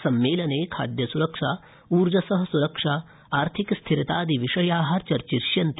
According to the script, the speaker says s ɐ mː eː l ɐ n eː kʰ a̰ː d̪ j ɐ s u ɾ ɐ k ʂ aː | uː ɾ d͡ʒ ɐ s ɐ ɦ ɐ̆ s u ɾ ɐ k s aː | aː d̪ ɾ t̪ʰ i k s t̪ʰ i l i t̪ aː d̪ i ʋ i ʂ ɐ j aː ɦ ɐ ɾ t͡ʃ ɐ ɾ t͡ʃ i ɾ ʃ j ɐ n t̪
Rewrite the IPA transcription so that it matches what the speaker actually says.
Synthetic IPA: s ɐ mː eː l ɐ n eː kʰ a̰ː d̪ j ɐ s u ɾ ɐ k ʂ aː | uː ɾ d͡ʒ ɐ s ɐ ɦ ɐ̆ s u ɾ ɐ k ʂ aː | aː ɾ t̪ʰ i k s t̪ʰ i ɾ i t̪ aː d̪ i ʋ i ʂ ɐ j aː ɦ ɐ ɾ t͡ʃ ɐ ɾ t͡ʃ i ɾ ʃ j ɐ n t̪